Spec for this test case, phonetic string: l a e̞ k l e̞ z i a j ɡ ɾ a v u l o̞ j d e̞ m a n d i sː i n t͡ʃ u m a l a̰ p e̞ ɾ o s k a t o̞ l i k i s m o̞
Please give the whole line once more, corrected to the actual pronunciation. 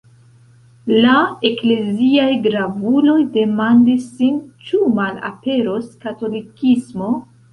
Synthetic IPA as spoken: l a e̞ k l e̞ z i a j ɡ ɾ a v u l o̞ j d e̞ m a n d i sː i n t͡ʃ u m a l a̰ p e̞ ɾ o s k a t o̞ l i k i s m o̞

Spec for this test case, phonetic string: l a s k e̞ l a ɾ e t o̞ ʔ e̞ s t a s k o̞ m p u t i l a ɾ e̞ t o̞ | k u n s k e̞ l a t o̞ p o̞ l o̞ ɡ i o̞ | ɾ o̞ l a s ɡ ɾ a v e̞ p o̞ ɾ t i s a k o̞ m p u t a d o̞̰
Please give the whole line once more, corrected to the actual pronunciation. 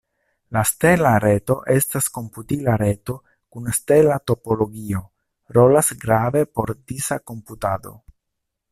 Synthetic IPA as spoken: l a s t e̞ l a ɾ e t o̞ ʔ e̞ s t a s k o̞ m p u t i l a ɾ e̞ t o̞ | k u n s t e̞ l a t o̞ p o̞ l o̞ ɡ i o̞ | ɾ o̞ l a s ɡ ɾ a v e̞ p o̞ ɾ d i s a k o̞ m p u t a d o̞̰

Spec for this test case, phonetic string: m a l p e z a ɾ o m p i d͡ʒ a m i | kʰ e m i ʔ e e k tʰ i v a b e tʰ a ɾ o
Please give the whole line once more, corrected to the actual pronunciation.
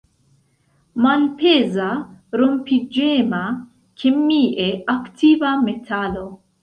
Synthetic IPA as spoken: m a l p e z a ɾ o m p i d͡ʒ e m a | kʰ e m i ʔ e a k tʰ i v a m e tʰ a l o

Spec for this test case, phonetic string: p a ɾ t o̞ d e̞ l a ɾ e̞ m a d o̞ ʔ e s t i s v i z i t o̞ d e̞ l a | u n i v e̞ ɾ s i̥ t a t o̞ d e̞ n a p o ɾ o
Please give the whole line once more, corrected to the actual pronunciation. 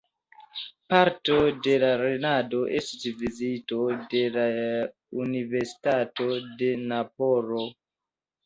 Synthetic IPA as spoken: p a ɾ t o̞ d e̞ l a ɾ e̞ n a d o̞ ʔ e s t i s v i z i t o̞ d e̞ l a | u n i v e̞ ɾ s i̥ t a t o̞ d e̞ n a p o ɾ o

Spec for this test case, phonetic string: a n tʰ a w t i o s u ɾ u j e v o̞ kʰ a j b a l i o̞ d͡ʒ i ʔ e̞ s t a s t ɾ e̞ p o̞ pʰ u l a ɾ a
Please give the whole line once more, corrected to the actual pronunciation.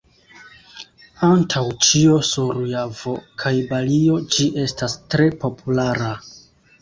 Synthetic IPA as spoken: a n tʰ a w t͡ʃ i o s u ɾ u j a v o̞ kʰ a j b a l i o̞ d͡ʒ i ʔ e̞ s t a s t ɾ e̞ p o̞ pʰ u l a ɾ a

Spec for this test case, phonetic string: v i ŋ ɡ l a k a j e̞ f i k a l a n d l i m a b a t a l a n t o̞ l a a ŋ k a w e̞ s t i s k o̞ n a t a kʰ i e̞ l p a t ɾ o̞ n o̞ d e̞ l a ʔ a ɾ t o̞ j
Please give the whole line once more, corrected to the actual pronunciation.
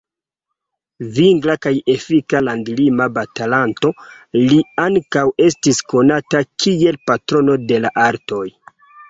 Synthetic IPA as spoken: v i ŋ ɡ l a k a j e̞ f i k a l a n d l i m a b a t a l a n t o̞ l i a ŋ k a w e̞ s t i s k o̞ n a t a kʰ i e̞ l p a t ɾ o̞ n o̞ d e̞ l a ʔ a ɾ t o̞ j

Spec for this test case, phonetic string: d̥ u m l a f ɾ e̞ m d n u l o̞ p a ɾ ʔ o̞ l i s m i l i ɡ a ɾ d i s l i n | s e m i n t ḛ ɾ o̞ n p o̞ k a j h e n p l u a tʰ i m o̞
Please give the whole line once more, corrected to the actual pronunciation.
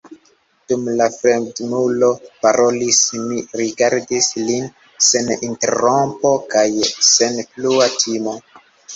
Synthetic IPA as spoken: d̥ u m l a f ɾ e̞ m d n u l o̞ p a ɾ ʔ o̞ l i s m i ɾ i ɡ a ɾ d i s l i n | s e n i n t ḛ ɾ o̞ m p o̞ k a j s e n p l u a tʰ i m o̞

